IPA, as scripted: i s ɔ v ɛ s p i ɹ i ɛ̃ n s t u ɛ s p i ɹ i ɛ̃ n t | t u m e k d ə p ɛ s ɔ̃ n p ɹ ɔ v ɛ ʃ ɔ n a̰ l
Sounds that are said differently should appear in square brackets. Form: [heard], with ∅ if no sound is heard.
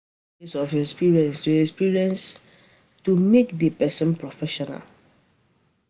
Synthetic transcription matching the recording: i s ɔ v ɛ s p i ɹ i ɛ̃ n s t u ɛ s p i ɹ i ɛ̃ n [s] | t u m e k d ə p ɛ s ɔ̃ n p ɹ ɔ [f] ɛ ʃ ɔ n a̰ l